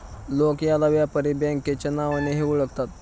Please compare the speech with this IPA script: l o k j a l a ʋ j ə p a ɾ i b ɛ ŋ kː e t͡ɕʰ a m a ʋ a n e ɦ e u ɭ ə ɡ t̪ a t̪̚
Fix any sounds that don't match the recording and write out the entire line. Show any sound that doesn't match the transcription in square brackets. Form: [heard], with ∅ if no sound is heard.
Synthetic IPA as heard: l o k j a l a ʋ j [a] p [ə] ɾ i b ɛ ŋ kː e [t͡ɕ] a [n] a ʋ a n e ɦ e u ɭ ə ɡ t̪ a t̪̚